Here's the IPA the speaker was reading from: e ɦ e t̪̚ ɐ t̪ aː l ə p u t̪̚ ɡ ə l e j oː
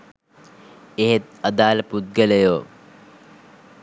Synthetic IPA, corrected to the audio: e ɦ e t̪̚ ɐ d̪ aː l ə p u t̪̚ ɡ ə l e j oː